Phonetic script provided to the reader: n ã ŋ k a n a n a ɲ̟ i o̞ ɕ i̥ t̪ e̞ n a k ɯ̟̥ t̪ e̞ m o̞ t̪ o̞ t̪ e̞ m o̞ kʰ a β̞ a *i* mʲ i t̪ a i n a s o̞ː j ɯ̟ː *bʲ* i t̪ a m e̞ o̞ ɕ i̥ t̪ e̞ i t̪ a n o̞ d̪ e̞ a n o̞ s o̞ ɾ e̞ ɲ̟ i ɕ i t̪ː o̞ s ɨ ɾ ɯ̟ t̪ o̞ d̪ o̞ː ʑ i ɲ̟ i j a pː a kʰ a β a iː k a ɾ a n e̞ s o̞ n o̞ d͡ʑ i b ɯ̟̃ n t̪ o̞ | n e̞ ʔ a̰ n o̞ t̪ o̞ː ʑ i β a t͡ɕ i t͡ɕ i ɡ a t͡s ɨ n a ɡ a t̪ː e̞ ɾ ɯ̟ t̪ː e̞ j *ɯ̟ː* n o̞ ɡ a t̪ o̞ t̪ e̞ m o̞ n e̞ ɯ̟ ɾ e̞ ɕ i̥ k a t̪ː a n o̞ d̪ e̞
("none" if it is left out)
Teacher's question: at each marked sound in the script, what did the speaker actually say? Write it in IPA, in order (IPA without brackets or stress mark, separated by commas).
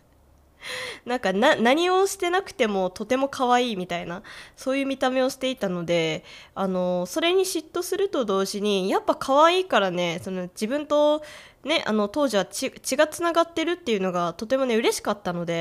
iː, mʲ, ɯ̟